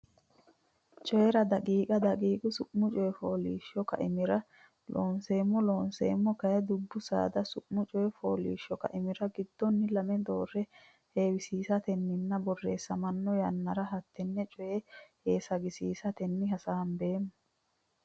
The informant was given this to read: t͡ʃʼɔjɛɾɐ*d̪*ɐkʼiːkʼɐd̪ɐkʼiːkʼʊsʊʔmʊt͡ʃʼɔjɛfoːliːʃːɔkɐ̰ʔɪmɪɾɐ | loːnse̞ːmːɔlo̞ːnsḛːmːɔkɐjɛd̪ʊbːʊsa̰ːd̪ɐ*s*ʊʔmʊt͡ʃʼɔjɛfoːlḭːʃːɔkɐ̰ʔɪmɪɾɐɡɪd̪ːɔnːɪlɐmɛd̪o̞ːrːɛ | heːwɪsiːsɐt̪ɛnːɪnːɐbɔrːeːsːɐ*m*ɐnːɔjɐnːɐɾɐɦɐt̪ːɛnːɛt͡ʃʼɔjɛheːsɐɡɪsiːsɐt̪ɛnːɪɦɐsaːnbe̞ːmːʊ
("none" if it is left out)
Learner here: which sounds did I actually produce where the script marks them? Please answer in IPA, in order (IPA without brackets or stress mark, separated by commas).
d̪, s, m